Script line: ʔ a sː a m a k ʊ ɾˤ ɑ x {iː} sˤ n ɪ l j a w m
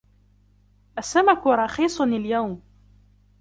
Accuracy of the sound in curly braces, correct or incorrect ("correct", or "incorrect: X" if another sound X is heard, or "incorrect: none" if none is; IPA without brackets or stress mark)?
correct